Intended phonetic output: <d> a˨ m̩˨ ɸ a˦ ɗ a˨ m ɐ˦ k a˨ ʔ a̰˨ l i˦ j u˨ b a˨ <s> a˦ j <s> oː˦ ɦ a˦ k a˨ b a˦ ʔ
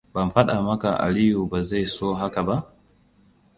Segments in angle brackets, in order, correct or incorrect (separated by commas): incorrect, incorrect, correct